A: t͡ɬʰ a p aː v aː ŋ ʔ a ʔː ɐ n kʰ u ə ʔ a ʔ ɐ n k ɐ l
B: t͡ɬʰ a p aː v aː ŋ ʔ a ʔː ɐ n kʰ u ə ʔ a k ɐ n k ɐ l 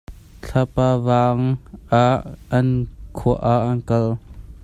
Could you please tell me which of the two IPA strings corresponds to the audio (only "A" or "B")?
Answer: A